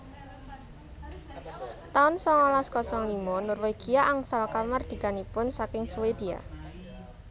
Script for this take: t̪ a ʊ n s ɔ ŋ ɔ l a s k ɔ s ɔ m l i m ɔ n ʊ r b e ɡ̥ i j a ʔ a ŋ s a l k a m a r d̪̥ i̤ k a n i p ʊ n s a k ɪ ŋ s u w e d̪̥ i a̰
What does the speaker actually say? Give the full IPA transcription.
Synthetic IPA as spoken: t̪ a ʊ n s ɔ ŋ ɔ l a s k ɔ s ɔ ŋ l i m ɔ n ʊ r w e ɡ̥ i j a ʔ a ŋ s a l k a m a r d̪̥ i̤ k a n i p ʊ n s a k ɪ ŋ s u w e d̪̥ i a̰